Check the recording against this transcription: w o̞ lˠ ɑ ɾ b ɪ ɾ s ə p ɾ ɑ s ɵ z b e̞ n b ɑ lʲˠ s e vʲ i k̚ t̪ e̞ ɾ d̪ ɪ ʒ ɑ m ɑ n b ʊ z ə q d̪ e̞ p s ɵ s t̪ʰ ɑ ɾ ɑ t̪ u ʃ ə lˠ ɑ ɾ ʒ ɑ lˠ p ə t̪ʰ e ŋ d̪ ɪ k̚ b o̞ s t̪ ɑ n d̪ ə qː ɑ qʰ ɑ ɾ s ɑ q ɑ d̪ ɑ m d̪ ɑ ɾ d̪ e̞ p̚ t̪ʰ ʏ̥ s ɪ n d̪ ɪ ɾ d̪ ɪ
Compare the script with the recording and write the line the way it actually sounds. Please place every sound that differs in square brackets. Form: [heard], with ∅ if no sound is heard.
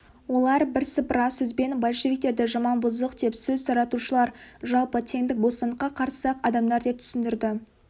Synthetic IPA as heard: w o̞ lˠ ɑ ɾ b ɪ ɾ s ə p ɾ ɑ s ɵ z b e̞ n b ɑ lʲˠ [ʃ] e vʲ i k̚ t̪ e̞ ɾ d̪ ɪ ʒ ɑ m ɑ n b ʊ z ə q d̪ e̞ p s ɵ [z] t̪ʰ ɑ ɾ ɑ t̪ u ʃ ə lˠ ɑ ɾ ʒ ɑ lˠ p ə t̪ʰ e ŋ d̪ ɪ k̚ b o̞ s t̪ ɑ n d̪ ə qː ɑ qʰ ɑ ɾ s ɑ q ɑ d̪ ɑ m d̪ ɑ ɾ d̪ e̞ p̚ t̪ʰ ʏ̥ s ɪ n d̪ ɪ ɾ d̪ ɪ

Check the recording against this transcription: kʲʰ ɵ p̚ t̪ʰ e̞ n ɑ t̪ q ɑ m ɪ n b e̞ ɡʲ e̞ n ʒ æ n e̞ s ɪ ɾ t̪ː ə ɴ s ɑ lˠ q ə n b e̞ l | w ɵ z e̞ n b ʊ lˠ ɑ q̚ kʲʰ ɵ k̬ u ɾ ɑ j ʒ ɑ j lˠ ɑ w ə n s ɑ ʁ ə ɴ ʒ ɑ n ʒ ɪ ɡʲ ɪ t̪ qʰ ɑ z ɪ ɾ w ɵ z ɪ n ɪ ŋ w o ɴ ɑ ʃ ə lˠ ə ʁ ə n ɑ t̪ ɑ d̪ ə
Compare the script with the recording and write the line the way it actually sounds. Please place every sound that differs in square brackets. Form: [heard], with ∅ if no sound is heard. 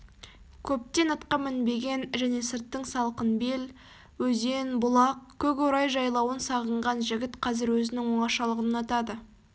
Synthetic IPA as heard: kʲʰ ɵ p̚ [t̪] e̞ n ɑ t̪ q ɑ m ɪ n b e̞ ɡʲ e̞ n ʒ æ n e̞ s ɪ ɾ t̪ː ə ɴ s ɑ lˠ q ə n b e̞ l | w ɵ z e̞ n b ʊ lˠ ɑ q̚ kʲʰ ɵ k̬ [o] ɾ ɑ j ʒ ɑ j lˠ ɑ w ə n s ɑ ʁ ə ɴ [ʁ] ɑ n ʒ ɪ ɡʲ ɪ t̪ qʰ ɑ z ɪ ɾ w ɵ z ɪ n ɪ ŋ w o ɴ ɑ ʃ [ɑ] lˠ ə ʁ ə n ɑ t̪ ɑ d̪ ə

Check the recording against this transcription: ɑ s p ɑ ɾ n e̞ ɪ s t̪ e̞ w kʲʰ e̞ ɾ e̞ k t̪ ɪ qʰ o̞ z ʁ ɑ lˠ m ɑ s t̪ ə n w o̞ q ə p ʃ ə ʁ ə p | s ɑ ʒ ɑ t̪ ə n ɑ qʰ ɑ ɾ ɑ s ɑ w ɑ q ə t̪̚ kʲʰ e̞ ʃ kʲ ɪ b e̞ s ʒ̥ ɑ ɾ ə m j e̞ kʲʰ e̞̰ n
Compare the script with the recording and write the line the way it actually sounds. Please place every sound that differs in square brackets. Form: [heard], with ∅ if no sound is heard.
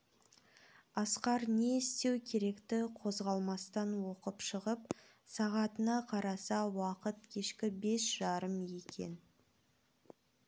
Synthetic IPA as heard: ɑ s [q] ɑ ɾ n e̞ ɪ s t̪ e̞ w kʲʰ e̞ ɾ e̞ k t̪ ɪ qʰ o̞ z ʁ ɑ lˠ m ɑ s t̪ [ɑ] n w o̞ q ə p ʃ ə ʁ ə p | s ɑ [ʁ] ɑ t̪ ə n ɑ qʰ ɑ ɾ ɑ s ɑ w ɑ q ə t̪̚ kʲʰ e̞ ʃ kʲ ɪ b e̞ s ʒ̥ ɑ ɾ ə m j e̞ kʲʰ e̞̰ n

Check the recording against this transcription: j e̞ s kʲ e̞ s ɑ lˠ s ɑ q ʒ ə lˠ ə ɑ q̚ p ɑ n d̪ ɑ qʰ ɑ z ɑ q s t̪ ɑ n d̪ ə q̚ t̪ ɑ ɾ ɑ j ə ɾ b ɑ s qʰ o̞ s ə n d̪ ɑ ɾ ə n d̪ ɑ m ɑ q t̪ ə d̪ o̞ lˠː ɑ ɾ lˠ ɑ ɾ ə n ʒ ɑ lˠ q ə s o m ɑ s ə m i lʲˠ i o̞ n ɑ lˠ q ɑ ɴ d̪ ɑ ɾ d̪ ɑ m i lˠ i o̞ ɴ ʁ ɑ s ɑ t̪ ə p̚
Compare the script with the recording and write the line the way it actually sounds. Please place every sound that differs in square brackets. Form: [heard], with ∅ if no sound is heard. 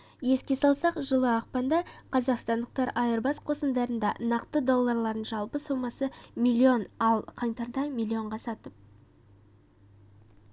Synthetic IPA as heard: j e̞ s kʲ e̞ s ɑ lˠ s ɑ q ʒ ə lˠ ə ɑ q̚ p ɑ n d̪ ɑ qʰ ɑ z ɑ q s t̪ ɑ n d̪ ə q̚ t̪ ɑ ɾ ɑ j ə ɾ b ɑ s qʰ o̞ s ə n d̪ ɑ ɾ ə n d̪ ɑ [n] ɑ q t̪ ə d̪ o̞ lˠː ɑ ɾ lˠ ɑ ɾ ə n ʒ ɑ lˠ [p] ə s o m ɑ s ə m i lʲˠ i o̞ n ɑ lˠ [qʰ] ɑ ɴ [t̪] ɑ ɾ d̪ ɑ m i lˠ i o̞ ɴ ʁ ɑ s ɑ t̪ ə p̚

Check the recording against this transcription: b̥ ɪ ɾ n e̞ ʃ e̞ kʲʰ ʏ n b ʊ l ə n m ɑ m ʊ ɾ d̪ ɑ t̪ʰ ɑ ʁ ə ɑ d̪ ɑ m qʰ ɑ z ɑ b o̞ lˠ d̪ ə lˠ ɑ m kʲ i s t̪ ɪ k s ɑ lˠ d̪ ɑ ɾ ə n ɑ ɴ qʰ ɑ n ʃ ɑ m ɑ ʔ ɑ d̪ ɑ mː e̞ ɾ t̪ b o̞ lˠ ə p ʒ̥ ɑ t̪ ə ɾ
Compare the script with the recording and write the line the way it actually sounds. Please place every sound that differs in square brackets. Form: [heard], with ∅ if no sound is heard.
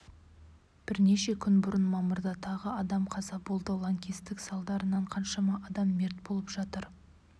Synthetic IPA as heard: b̥ ɪ ɾ n e̞ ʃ e̞ kʲʰ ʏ n b ʊ [ɾ] ə n m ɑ m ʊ ɾ d̪ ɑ t̪ʰ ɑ ʁ ə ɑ d̪ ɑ m qʰ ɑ z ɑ b o̞ lˠ d̪ ə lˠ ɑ [ŋ] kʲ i s t̪ ɪ k s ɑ lˠ d̪ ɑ ɾ ə n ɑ ɴ qʰ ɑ n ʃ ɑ m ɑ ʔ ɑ d̪ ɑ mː e̞ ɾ t̪ b o̞ lˠ ə p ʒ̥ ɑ t̪ ə ɾ

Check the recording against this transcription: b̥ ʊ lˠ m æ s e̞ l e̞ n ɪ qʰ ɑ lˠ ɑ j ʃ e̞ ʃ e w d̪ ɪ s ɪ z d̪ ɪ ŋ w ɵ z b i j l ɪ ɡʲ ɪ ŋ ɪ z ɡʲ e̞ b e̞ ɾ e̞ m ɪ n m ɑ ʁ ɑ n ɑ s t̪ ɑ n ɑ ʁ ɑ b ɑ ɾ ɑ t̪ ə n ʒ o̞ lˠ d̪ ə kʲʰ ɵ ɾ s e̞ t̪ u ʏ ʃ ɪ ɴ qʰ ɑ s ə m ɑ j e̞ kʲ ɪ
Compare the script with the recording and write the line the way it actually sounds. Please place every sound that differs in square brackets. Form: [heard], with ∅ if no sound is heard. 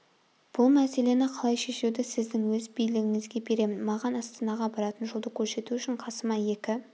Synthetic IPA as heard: b̥ ʊ lˠ m æ s e̞ l e̞ n ɪ qʰ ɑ lˠ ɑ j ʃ e̞ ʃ e w d̪ ɪ s ɪ z d̪ ɪ ŋ w ɵ z b i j l ɪ ɡʲ ɪ ŋ ɪ z ɡʲ e̞ b e̞ ɾ e̞ m ɪ n m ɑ ʁ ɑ n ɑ s t̪ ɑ n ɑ ʁ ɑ b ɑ ɾ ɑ t̪ ə n ʒ o̞ lˠ d̪ ə kʲʰ ɵ ɾ s e̞ t̪ u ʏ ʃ ɪ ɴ qʰ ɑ s ə m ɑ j e̞ kʲ ɪ

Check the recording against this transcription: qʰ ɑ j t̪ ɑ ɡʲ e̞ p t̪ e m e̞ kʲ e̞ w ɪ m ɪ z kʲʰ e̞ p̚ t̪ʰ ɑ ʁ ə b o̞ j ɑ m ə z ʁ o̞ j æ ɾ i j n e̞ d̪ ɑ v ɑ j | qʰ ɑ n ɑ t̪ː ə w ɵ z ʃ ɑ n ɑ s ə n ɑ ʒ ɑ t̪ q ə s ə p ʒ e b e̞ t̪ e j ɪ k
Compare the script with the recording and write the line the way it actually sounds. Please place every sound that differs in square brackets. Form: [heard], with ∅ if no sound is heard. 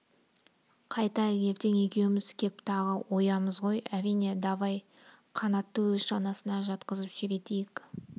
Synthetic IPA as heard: qʰ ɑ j t̪ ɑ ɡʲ e̞ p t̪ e [ŋ] e̞ kʲ e̞ w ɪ m ɪ z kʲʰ e̞ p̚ t̪ʰ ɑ ʁ ə [w] o̞ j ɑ m ə z ʁ o̞ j æ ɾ i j n e̞ d̪ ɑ v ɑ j | qʰ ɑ n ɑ t̪ː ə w ɵ z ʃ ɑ n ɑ s ə n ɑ ʒ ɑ t̪ q ə [z] ə p ʒ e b e̞ t̪ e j ɪ k

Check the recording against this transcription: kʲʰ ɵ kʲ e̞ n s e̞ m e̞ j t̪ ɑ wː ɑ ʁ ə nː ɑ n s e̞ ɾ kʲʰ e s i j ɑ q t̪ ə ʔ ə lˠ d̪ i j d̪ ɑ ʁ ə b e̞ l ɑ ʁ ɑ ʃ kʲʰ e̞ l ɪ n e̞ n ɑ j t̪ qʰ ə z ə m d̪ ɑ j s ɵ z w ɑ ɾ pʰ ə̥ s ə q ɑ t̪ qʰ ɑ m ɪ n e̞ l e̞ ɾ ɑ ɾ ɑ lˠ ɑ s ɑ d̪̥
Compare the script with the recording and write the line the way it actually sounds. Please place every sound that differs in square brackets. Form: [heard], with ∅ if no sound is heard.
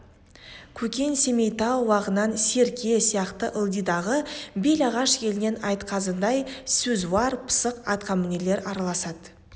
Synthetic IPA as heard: kʲʰ ɵ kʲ e̞ n s e̞ m e̞ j t̪ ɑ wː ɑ ʁ ə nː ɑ n s e̞ ɾ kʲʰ e s i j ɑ q t̪ ə ʔ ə lˠ d̪ i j d̪ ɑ ʁ ə b e̞ l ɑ ʁ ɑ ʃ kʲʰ e̞ l ɪ n e̞ n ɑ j t̪ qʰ [ɑ] z ə [n] d̪ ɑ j s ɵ z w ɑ ɾ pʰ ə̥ s ə q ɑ t̪ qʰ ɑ m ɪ n e̞ l e̞ ɾ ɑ ɾ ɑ lˠ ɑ s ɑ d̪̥

